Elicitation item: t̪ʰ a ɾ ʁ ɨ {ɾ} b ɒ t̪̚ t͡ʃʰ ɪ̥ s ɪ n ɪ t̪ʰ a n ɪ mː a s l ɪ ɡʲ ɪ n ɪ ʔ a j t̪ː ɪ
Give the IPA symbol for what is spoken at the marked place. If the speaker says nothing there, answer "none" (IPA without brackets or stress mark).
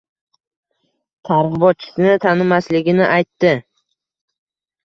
none